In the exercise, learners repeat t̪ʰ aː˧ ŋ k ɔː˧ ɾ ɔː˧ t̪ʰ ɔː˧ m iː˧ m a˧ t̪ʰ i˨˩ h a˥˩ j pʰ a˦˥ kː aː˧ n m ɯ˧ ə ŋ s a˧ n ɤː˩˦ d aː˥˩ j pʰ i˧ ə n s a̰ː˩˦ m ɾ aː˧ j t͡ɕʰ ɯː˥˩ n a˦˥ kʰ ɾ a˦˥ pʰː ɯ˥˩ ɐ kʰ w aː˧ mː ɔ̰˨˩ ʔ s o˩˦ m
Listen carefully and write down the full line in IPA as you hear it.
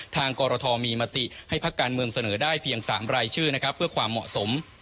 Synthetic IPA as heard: t̪ʰ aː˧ ŋ k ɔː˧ ɾ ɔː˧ t̪ʰ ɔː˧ m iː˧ m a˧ t̪ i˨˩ h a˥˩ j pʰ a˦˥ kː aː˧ n m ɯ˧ ə ŋ s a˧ n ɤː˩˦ d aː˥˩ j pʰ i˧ ə ŋ s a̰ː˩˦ m ɾ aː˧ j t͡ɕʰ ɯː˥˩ n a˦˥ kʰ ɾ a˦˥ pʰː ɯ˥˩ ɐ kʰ w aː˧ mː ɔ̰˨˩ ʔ s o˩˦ m